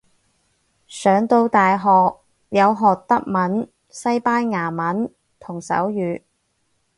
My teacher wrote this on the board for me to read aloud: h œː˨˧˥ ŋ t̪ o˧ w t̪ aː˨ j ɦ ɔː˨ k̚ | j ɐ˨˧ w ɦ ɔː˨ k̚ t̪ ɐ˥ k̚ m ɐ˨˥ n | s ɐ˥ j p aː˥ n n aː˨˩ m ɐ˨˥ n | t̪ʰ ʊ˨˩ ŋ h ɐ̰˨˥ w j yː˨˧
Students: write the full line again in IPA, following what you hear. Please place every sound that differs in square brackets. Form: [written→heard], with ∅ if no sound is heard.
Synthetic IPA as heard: [h→s] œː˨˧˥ ŋ t̪ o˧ w t̪ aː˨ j ɦ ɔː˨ k̚ | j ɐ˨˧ w ɦ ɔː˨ k̚ t̪ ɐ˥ k̚ m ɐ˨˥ n | s ɐ˥ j p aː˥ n [n→ŋ] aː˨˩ m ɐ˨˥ n | t̪ʰ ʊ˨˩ ŋ [h→s] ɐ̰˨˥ w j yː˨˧